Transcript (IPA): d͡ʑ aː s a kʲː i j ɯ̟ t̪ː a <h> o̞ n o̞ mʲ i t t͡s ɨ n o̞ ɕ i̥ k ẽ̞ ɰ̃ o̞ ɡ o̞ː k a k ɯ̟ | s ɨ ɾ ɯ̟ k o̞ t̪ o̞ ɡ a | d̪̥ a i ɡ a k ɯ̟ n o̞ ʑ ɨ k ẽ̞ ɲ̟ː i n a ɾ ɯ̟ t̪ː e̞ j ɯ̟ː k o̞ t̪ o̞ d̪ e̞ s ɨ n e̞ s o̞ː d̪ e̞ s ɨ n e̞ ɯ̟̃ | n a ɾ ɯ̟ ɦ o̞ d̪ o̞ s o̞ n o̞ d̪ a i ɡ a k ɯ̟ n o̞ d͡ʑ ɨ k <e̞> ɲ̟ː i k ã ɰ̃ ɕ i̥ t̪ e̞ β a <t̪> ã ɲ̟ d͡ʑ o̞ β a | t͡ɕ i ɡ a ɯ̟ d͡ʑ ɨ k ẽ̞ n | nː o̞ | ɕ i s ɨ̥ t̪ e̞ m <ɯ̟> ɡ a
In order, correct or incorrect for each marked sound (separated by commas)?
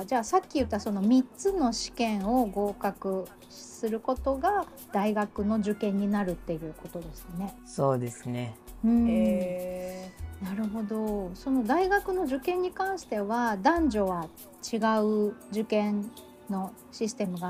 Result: incorrect, incorrect, incorrect, correct